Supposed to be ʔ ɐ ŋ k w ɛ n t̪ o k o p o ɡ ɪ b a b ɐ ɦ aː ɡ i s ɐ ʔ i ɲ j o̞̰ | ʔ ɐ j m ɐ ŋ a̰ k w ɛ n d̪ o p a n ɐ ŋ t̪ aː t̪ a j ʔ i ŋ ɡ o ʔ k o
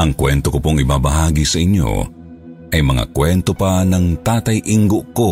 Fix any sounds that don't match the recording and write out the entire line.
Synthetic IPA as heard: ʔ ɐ ŋ k w ɛ n t̪ o k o p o ŋ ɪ b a b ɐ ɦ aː ɡ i s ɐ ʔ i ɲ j o̞̰ | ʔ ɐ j m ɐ ŋ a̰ k w ɛ n t̪ o p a n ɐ ŋ t̪ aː t̪ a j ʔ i ŋ ɡ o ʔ k o